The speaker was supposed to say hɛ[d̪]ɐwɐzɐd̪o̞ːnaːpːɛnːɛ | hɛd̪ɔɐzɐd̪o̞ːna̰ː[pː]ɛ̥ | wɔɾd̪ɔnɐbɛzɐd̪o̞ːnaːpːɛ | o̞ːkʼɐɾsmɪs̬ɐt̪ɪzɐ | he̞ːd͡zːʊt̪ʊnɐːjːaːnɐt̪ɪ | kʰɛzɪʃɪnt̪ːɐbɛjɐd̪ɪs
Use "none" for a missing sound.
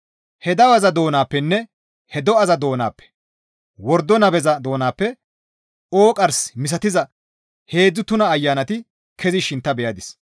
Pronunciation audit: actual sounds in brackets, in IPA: d̪, pː

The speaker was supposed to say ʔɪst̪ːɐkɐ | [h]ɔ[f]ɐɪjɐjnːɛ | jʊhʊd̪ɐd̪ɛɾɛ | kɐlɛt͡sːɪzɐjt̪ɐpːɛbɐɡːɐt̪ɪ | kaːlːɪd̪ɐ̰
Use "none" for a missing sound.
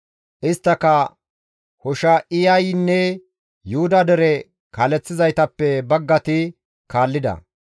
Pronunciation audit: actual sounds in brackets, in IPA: h, ʃ

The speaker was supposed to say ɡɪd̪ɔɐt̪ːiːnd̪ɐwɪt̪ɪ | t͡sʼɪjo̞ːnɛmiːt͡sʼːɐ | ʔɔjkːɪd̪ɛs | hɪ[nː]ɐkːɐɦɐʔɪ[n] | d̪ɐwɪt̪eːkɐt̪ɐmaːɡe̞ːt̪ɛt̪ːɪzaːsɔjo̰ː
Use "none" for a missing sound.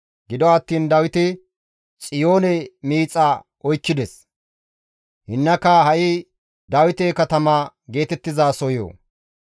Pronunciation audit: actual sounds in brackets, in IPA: nː, none

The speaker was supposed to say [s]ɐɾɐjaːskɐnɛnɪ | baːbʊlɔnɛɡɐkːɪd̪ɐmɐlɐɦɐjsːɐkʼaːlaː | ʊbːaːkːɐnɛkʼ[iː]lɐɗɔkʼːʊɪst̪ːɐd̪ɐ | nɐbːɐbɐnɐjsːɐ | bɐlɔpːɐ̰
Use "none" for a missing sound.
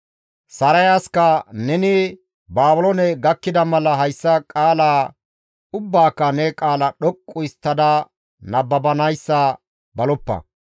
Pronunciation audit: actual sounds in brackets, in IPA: s, aː

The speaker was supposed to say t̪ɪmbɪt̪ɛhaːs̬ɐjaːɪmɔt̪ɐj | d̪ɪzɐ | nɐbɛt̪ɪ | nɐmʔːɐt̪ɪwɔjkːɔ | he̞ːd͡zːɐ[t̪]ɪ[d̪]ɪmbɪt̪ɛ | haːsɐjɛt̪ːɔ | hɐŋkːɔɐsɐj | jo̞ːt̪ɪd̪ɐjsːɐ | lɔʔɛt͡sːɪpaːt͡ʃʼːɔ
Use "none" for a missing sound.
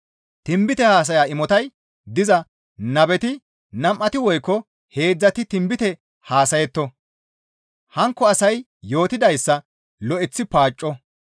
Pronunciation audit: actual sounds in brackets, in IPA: t̪, t̪

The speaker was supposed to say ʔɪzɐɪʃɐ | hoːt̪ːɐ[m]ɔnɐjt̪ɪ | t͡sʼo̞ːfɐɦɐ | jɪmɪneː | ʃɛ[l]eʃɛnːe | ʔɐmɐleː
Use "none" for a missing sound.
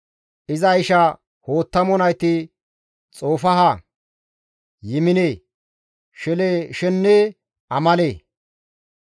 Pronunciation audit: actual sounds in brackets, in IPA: m, l

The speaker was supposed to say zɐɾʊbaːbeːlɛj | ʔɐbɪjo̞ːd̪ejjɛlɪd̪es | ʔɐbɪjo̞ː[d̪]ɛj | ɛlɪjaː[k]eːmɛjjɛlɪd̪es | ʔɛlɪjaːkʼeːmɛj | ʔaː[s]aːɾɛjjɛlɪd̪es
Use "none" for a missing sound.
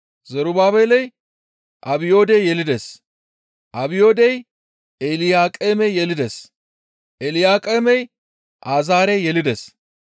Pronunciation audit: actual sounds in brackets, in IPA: d̪, kʼ, z

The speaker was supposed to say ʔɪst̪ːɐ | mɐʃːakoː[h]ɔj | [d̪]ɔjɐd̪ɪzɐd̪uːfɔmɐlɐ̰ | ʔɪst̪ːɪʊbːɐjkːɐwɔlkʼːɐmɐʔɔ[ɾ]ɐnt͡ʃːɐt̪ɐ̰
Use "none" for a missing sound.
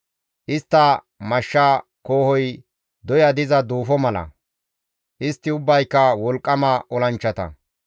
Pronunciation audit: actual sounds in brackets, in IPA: h, d̪, l

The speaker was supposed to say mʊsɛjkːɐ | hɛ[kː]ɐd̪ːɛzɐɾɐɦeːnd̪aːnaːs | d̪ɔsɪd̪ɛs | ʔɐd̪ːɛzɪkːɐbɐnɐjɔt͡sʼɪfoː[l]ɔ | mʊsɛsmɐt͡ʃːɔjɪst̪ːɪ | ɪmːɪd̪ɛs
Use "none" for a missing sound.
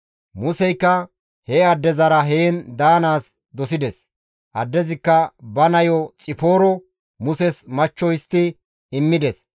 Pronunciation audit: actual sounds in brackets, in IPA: none, ɾ

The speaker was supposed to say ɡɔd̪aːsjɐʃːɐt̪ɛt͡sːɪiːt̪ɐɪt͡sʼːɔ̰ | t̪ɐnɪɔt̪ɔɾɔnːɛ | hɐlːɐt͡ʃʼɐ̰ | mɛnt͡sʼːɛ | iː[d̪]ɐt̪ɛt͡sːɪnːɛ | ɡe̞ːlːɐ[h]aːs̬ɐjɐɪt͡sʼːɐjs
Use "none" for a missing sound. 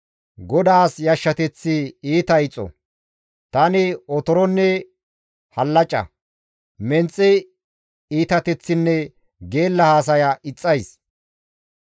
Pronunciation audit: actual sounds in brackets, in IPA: t̪, h

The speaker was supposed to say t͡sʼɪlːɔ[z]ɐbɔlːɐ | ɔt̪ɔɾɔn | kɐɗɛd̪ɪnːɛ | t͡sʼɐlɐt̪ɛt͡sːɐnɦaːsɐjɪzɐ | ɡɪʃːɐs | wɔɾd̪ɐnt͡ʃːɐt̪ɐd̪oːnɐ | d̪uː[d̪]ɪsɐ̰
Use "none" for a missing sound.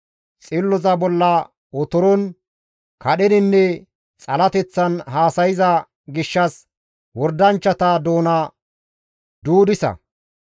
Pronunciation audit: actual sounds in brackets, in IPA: z, d̪

